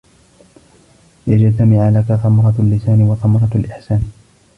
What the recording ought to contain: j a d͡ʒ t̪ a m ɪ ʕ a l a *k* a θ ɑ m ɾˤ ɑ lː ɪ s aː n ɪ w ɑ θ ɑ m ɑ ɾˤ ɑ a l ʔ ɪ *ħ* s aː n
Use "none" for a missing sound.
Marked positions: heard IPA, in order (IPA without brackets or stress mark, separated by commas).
k, ħ